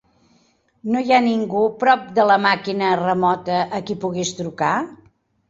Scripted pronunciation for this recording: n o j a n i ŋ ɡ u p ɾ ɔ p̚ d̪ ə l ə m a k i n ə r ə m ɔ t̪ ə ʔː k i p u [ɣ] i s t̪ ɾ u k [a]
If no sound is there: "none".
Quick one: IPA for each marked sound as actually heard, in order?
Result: ɣ, a

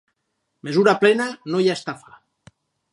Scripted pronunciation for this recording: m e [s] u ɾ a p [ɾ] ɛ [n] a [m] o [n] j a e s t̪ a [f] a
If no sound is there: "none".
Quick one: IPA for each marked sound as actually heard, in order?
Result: z, l, n, n, none, f

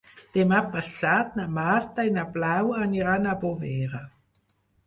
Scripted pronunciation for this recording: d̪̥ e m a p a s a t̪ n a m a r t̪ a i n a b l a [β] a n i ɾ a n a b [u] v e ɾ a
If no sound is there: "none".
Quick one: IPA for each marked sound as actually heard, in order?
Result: w, o

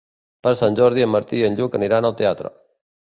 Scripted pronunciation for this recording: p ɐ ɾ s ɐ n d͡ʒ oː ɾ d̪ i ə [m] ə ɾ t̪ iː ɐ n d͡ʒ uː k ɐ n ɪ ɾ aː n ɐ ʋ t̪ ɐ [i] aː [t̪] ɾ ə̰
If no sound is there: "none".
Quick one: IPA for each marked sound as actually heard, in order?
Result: m, j, t̪

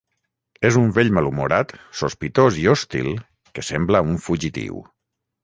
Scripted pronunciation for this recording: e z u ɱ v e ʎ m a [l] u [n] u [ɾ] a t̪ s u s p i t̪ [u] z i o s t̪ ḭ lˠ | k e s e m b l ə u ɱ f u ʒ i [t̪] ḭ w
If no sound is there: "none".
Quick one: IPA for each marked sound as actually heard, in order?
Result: l, m, ɾ, o, t̪

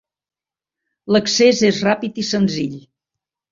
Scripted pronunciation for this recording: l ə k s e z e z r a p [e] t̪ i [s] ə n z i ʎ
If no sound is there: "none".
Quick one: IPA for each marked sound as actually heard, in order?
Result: i, s

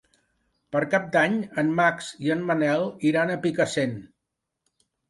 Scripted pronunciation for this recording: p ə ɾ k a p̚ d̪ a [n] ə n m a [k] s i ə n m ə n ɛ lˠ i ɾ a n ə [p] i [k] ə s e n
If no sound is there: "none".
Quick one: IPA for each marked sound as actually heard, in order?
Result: ɲ, k, p, k

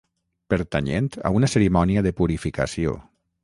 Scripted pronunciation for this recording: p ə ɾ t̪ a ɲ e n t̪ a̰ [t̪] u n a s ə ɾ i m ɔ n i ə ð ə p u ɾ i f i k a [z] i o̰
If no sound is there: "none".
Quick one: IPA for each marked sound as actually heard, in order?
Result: none, s

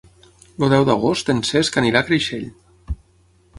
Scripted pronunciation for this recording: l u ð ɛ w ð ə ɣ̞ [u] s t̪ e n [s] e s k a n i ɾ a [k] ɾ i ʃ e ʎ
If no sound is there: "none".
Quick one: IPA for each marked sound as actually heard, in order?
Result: o, s, k

